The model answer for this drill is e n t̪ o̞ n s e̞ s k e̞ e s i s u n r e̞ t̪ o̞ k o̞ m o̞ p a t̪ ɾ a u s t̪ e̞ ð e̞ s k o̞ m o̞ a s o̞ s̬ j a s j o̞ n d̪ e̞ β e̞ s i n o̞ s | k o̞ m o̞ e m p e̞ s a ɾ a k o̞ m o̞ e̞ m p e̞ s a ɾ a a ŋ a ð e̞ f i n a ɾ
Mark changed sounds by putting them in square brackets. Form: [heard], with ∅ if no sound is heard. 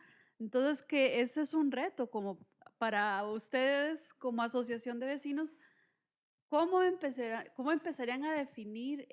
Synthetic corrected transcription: e n t̪ o̞ n s e̞ s k e̞ e s [e] s u n r e̞ t̪ o̞ k o̞ m o̞ p a [∅] ɾ a u s t̪ e̞ ð e̞ s k o̞ m o̞ a s o̞ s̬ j a s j o̞ n d̪ e̞ β e̞ s i n o̞ s | k o̞ m o̞ e m p e̞ s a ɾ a k o̞ m o̞ e̞ m p e̞ s a ɾ [i] a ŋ a ð e̞ f i n [i] ɾ